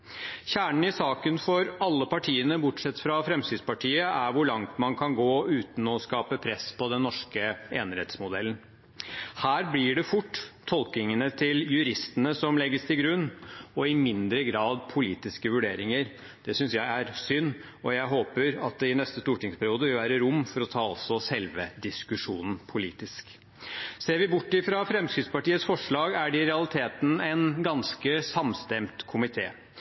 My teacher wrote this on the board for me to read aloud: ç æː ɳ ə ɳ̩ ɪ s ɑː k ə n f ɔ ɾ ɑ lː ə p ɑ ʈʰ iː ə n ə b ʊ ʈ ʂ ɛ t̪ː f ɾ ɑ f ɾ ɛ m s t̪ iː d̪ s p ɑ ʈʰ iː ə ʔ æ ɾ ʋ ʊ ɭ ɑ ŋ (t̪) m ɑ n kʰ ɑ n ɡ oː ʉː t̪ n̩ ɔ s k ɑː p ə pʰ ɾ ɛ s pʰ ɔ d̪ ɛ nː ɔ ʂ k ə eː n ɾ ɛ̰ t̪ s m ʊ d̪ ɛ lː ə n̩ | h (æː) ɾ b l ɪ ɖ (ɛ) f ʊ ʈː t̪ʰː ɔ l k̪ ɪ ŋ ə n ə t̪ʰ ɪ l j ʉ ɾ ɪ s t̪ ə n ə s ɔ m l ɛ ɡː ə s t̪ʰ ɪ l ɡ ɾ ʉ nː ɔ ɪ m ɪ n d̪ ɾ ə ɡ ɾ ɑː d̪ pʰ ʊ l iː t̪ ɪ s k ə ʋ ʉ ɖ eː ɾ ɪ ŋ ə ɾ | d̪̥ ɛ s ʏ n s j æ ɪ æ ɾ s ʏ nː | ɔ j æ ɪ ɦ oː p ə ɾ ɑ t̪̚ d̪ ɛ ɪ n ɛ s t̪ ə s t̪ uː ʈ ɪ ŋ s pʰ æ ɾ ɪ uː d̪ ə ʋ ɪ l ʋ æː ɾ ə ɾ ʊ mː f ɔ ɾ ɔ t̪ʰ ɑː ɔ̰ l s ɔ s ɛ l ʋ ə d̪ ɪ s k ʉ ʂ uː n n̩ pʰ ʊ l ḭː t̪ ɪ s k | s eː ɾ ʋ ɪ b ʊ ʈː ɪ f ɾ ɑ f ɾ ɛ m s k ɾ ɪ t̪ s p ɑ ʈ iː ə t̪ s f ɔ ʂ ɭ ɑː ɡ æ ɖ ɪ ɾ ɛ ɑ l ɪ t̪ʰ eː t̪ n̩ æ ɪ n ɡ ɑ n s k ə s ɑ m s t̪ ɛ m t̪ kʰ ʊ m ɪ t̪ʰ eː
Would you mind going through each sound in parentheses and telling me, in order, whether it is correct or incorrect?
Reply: correct, correct, correct

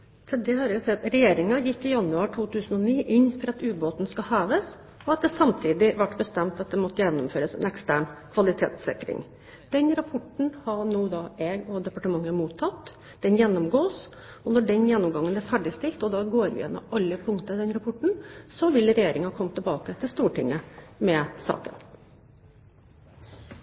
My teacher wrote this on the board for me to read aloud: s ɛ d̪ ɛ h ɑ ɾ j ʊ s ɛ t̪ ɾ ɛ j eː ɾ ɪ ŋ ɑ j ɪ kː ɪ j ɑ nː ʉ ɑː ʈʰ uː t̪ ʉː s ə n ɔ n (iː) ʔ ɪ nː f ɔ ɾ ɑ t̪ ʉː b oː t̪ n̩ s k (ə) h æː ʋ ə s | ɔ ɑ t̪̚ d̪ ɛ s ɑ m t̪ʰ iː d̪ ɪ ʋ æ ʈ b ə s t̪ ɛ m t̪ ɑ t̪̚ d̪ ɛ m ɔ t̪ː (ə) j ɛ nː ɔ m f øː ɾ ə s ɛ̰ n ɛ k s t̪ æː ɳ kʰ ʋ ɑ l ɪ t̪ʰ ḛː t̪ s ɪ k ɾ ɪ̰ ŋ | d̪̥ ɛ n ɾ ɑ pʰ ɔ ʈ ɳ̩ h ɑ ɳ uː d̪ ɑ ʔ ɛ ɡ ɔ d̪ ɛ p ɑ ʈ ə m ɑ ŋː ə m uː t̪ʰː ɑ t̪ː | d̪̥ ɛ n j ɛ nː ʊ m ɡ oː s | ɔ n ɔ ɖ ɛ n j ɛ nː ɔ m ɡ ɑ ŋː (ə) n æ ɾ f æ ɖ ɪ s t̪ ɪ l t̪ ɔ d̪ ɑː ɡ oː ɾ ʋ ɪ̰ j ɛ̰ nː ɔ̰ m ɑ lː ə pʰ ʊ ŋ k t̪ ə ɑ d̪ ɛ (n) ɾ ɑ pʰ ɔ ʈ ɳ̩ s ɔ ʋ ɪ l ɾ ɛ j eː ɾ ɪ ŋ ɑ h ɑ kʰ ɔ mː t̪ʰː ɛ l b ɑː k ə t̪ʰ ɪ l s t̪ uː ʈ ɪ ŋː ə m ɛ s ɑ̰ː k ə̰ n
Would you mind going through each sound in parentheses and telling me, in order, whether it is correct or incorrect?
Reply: correct, incorrect: ɑ, correct, correct, correct

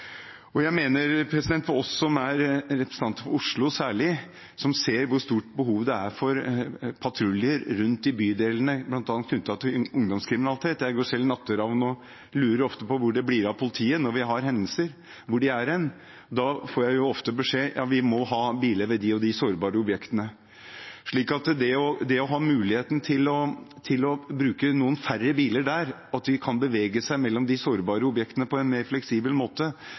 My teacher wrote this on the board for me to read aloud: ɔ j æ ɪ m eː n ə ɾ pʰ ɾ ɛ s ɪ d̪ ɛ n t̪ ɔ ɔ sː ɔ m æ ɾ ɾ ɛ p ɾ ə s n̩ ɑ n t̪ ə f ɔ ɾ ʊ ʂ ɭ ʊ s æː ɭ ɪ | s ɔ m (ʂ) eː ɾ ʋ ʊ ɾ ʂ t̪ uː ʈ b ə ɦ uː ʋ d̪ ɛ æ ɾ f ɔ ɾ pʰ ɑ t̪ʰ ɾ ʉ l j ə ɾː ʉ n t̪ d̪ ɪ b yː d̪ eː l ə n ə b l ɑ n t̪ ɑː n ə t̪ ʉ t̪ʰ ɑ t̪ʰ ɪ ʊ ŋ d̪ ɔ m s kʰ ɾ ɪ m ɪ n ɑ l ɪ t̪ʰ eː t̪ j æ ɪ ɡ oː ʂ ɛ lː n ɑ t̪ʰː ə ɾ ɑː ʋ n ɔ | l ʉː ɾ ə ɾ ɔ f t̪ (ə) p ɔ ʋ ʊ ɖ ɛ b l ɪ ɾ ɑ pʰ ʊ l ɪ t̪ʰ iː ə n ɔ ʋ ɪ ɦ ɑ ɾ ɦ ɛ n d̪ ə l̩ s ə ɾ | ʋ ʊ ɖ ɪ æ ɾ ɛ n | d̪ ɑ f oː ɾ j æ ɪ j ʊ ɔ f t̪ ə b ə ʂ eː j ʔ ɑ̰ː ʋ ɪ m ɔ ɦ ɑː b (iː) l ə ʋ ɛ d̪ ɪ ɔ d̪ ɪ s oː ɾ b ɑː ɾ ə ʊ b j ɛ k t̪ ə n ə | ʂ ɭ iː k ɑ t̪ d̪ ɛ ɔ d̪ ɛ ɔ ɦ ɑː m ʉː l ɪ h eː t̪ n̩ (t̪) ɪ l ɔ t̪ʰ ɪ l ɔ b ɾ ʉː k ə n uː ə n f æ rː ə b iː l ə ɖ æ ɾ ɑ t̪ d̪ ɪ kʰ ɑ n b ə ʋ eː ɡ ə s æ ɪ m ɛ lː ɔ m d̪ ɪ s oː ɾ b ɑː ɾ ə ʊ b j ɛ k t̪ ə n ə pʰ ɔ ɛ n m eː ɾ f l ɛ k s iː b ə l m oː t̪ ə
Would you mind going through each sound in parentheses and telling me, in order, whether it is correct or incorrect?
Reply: incorrect: s, correct, correct, incorrect: t̪ʰ

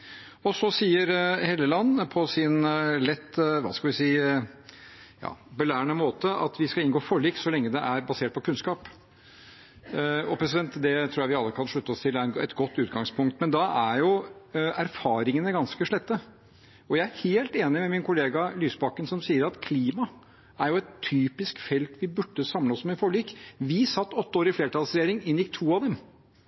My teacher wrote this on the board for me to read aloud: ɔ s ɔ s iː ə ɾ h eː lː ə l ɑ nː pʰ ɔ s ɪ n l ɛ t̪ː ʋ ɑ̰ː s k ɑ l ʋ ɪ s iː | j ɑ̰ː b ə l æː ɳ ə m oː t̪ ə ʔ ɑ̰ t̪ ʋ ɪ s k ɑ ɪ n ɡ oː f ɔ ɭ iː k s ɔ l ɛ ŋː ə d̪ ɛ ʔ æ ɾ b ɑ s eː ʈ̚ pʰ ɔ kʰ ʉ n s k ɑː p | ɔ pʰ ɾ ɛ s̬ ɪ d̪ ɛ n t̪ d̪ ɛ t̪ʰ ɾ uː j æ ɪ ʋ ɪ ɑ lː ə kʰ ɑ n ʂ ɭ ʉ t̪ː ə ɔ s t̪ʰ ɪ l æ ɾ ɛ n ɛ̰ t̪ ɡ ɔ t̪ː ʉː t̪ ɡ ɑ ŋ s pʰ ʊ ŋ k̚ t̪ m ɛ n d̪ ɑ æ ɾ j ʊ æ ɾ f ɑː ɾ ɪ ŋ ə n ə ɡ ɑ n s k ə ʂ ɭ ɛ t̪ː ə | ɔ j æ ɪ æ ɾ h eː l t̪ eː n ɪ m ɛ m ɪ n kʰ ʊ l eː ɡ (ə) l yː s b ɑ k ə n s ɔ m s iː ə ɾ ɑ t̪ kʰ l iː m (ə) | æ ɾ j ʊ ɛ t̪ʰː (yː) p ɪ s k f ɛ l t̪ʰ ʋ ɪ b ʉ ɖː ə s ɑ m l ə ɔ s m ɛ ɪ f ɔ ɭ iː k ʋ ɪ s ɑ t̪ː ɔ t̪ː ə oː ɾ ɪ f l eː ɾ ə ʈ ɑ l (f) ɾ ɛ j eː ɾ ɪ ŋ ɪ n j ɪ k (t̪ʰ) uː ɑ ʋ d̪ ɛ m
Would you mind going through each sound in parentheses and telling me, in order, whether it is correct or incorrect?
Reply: incorrect: ɑ, incorrect: ɑ, correct, incorrect: s, correct

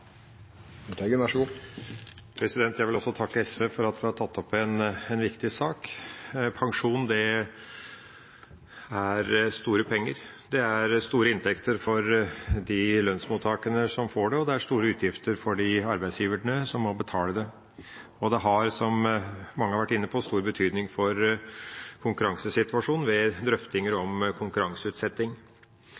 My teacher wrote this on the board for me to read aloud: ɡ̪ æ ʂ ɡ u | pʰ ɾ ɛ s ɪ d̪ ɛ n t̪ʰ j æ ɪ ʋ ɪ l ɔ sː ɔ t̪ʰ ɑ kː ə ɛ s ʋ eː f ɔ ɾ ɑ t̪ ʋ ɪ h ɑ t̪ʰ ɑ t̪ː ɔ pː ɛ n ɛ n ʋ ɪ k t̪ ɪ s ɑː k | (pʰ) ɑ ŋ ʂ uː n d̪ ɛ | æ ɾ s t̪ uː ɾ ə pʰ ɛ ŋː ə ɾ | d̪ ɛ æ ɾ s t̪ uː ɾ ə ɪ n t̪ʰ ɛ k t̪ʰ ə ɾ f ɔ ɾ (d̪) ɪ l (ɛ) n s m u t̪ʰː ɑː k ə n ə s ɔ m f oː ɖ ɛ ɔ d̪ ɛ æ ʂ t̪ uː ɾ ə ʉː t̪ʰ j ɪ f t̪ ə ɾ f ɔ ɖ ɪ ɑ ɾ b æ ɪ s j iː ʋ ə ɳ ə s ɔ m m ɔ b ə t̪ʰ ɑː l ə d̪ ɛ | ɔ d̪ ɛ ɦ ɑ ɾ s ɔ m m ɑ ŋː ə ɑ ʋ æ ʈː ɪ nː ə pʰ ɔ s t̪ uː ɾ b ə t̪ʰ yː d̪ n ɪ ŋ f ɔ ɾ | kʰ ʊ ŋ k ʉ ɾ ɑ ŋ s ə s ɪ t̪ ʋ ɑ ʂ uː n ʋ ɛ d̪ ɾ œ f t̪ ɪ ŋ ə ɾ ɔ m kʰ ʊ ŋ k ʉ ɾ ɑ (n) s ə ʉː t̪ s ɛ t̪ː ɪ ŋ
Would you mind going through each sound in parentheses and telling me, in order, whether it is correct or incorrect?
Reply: correct, correct, incorrect: œ, incorrect: ŋ

